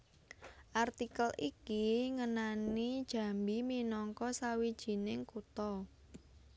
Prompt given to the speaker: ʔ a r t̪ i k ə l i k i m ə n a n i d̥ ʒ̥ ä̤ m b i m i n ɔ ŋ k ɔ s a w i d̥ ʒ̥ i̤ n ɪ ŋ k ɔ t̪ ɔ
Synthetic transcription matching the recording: ʔ a r t̪ i k ə l i k i ŋ ə n a n i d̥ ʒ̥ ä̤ m b i m i n ɔ ŋ k ɔ s a w i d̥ ʒ̥ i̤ n ɪ ŋ k u t̪ ɔ